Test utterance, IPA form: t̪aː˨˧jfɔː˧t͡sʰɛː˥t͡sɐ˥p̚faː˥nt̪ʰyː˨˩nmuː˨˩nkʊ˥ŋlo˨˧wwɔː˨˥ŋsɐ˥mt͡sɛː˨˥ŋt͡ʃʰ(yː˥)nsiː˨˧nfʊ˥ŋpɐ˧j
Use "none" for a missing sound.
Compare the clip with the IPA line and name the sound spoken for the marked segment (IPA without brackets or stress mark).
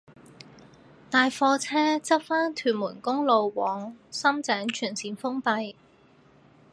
yː˨˩